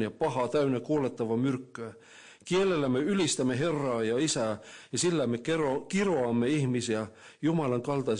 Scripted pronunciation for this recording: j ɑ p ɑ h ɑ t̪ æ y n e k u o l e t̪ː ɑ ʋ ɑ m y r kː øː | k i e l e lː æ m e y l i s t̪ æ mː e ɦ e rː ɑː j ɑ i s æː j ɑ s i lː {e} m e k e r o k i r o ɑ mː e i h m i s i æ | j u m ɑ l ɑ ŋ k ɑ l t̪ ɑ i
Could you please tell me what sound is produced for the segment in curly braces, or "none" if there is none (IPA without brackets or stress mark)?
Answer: æ